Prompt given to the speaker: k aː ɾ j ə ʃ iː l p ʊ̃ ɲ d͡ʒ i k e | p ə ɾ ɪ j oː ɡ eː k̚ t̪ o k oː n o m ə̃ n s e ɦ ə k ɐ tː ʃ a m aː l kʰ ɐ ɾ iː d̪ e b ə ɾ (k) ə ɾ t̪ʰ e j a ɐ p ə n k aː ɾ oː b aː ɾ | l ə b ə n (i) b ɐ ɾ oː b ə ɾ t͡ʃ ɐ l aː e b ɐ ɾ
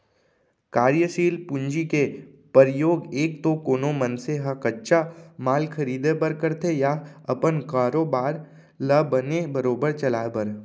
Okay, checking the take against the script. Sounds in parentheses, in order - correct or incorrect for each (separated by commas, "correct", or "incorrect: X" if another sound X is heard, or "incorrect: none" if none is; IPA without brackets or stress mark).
correct, incorrect: e